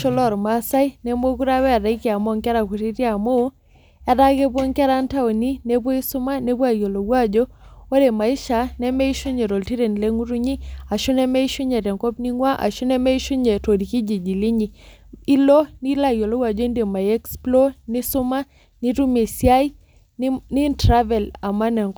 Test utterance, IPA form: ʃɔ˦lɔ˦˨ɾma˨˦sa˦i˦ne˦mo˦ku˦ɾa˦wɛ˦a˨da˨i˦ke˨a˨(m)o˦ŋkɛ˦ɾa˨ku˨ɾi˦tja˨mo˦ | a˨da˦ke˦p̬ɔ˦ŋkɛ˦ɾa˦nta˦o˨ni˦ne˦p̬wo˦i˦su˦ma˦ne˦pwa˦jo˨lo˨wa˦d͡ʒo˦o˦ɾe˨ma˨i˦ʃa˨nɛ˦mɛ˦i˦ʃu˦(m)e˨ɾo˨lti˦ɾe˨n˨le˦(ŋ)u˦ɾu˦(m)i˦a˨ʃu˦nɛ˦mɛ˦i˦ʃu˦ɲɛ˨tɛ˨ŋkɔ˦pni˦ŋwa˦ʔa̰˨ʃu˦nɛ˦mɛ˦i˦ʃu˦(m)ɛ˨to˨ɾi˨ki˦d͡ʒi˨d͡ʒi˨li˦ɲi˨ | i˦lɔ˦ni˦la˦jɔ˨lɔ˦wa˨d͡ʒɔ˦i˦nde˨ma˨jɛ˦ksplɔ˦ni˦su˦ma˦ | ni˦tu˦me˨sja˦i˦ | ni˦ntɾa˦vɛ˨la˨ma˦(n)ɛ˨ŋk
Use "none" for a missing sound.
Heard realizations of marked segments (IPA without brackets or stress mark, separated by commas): m, ɲ, ŋ, ɲ, ɲ, n